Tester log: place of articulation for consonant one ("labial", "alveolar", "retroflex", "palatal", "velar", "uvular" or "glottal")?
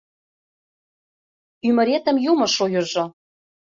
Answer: labial